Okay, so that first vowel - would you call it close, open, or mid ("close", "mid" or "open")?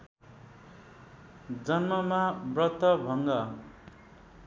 mid